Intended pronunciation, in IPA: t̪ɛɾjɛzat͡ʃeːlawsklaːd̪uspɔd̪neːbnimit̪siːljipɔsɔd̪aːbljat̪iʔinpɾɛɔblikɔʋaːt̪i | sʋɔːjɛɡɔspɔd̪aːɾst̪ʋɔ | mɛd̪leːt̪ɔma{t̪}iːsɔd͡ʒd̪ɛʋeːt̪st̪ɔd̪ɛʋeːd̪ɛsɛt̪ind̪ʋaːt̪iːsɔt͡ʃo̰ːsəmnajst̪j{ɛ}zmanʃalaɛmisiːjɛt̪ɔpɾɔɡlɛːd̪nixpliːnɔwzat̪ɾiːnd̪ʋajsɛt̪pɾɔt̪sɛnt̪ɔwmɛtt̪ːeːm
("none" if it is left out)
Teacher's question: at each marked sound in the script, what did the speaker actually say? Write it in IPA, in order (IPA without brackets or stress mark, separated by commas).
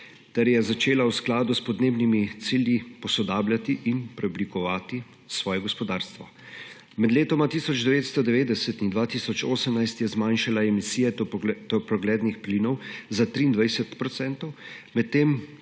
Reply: t̪, ɛ